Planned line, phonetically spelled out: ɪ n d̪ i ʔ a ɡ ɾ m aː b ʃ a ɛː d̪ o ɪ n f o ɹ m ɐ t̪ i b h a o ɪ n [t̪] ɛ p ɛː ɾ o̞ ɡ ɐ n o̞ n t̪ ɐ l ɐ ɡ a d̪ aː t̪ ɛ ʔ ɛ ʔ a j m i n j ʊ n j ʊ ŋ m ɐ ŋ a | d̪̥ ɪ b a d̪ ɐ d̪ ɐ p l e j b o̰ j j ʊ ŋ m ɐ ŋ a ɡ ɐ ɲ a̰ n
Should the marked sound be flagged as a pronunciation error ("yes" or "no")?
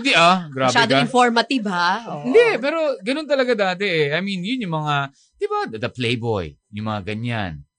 yes